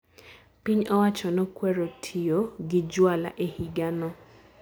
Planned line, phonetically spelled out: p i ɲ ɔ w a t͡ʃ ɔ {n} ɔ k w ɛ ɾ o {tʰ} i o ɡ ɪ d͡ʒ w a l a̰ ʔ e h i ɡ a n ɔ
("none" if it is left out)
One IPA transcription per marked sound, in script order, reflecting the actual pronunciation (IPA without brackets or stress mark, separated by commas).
n, tʰ